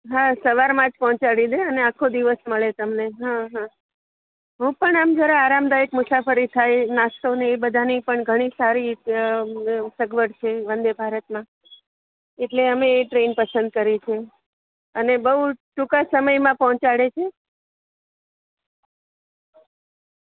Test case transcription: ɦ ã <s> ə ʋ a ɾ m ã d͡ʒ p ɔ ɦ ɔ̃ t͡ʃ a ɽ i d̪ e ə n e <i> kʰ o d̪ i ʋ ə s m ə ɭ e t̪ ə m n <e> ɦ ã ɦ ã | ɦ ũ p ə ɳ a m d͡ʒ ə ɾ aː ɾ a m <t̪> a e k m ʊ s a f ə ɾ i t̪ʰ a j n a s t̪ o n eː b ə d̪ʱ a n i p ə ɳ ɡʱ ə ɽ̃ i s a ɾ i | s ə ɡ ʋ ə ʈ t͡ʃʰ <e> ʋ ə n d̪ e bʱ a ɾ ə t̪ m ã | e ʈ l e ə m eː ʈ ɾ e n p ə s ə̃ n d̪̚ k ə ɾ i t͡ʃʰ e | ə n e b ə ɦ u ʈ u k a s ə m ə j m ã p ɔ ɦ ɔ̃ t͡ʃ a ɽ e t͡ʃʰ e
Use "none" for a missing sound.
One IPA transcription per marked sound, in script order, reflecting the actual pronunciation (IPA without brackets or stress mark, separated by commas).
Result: s, a, e, d̪, e